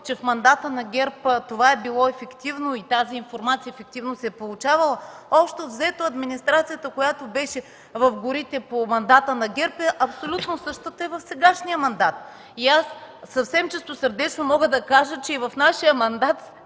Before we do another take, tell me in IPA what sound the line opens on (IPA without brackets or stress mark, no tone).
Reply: t͡ʃ